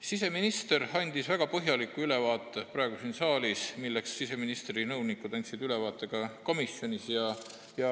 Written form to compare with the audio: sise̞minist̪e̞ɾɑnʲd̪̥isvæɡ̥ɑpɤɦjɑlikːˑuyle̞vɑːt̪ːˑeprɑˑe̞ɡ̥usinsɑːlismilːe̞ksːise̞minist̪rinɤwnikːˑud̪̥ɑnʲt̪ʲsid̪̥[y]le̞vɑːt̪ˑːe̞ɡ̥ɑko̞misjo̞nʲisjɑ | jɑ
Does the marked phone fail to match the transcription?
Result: no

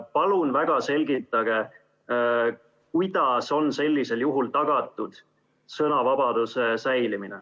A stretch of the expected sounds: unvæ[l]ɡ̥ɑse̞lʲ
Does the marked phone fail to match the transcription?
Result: yes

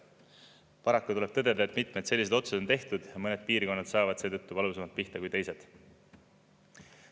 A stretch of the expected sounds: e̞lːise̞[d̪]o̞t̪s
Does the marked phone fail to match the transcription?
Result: no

